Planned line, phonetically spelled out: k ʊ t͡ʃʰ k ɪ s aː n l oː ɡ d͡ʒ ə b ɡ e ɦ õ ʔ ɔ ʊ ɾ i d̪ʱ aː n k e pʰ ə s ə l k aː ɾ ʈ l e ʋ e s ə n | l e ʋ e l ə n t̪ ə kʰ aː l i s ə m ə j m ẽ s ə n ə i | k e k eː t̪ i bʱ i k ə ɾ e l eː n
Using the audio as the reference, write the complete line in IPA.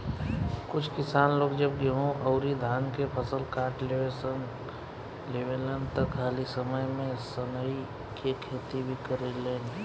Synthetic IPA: k ʊ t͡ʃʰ k ɪ s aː n l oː ɡ d͡ʒ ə b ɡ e ɦ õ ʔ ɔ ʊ ɾ i d̪ʱ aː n k e pʰ ə s ə l k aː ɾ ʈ l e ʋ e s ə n | l e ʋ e l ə n t̪ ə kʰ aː l i s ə m ə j m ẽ s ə n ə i | k e kʰ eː t̪ i bʱ i k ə ɾ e l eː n